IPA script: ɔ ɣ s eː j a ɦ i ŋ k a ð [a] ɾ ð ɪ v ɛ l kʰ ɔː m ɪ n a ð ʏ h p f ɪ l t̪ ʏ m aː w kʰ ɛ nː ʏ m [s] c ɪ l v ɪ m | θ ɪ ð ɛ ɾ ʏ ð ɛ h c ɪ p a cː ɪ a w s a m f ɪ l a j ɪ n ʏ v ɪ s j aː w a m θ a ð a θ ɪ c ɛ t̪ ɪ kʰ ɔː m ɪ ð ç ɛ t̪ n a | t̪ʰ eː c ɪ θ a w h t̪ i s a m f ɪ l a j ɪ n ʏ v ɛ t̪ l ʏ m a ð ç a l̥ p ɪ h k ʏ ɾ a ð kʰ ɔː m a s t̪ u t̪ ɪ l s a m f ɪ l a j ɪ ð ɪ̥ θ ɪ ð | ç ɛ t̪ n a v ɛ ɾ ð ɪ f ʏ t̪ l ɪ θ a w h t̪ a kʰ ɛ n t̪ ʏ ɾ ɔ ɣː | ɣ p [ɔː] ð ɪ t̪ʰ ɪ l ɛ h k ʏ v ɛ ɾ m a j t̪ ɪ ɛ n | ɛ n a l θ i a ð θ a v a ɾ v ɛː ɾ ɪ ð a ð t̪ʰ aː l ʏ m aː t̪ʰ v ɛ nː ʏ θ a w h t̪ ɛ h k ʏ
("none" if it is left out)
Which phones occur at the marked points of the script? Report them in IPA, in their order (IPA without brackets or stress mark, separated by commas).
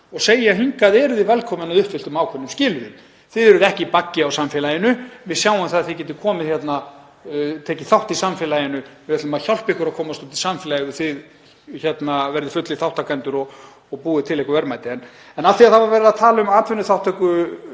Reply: ɛ, s, uː